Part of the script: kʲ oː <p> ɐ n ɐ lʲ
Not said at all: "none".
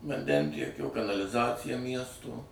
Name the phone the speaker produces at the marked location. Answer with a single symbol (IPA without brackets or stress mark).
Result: k